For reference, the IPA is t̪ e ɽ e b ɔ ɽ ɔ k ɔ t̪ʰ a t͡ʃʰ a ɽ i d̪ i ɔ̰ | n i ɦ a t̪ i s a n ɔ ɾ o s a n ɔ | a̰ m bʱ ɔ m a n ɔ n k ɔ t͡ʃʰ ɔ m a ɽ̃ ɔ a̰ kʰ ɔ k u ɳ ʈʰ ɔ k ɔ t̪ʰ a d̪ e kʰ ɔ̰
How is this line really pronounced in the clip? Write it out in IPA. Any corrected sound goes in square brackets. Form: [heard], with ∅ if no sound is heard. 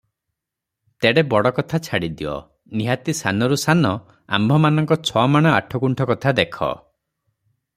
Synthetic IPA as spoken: t̪ e ɽ e b ɔ ɽ ɔ k ɔ t̪ʰ a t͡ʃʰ a ɽ i d̪ i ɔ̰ | n i ɦ a t̪ i s a n ɔ ɾ [u] s a n ɔ | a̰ m bʱ ɔ m a n ɔ [ŋ] k ɔ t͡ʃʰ ɔ m a ɽ̃ ɔ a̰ [ʈʰ] ɔ k u ɳ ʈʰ ɔ k ɔ t̪ʰ a d̪ e kʰ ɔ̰